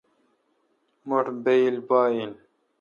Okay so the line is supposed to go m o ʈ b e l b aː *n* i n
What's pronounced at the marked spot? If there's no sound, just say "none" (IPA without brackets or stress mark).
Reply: none